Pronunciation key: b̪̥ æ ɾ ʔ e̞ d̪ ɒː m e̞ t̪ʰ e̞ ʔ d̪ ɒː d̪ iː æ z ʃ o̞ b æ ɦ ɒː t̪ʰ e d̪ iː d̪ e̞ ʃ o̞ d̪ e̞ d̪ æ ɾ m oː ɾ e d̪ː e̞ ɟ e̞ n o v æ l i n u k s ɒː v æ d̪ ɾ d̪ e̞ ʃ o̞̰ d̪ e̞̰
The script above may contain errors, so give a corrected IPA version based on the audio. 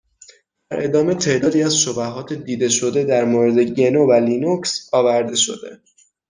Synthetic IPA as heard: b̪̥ æ ɾ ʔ e̞ d̪ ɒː m e̞ t̪ʰ e̞ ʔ d̪ ɒː d̪ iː æ z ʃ o̞ b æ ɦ ɒː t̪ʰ e d̪ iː d̪ e̞ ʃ o̞ d̪ e̞ d̪ æ ɾ m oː ɾ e d̪ e̞ ɟ e̞ n o v æ l i n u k s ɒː v æ ɾ d̪ e̞ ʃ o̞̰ d̪ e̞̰